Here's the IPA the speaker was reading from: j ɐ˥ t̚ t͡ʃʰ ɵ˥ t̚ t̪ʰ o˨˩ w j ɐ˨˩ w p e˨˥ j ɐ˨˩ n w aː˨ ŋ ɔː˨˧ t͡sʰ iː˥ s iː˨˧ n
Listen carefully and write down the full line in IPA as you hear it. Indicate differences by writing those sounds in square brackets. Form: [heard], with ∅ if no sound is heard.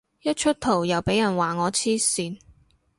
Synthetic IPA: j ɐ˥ t̚ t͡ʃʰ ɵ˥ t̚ t̪ʰ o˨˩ w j ɐ˨˩ w p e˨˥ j ɐ˨˩ n w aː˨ ŋ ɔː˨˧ t͡sʰ iː˥ s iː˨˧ n